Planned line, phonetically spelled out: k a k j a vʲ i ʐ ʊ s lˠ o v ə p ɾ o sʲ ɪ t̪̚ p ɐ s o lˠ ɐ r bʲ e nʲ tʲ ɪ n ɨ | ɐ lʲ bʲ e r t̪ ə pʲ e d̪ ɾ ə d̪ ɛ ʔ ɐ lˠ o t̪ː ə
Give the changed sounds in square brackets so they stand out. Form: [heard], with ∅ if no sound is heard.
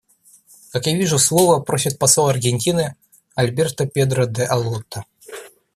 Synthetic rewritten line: k a k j a vʲ i ʐ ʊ s lˠ o v ə p ɾ o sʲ ɪ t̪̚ p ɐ s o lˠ ɐ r [ɡʲ] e nʲ tʲ [i] n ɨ | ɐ lʲ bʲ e r t̪ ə pʲ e d̪ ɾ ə d̪ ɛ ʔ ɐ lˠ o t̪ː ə